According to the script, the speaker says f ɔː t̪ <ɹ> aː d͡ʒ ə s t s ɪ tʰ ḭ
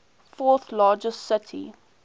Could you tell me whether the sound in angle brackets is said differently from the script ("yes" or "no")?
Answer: yes